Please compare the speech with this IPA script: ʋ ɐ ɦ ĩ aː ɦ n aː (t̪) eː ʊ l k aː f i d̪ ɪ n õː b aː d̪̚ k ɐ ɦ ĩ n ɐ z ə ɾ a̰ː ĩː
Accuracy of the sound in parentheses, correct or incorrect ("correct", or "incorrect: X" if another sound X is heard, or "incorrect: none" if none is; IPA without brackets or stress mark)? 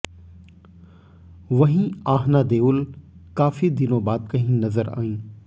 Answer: incorrect: d̪